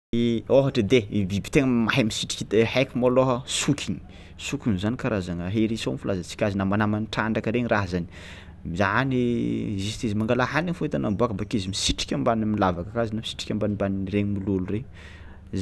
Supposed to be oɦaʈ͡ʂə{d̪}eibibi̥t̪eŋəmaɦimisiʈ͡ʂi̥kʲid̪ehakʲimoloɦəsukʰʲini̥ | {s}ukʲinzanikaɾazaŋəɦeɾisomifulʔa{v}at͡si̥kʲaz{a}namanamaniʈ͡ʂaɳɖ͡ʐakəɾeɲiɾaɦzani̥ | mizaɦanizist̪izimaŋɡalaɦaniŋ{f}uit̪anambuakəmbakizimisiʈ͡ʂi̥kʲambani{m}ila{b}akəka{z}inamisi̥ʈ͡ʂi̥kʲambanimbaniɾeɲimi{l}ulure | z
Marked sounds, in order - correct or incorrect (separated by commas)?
correct, correct, incorrect, incorrect, correct, correct, incorrect, correct, correct